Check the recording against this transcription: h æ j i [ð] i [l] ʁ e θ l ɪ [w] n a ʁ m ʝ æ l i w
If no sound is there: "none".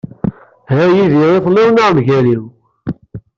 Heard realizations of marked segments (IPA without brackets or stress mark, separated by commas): ð, none, w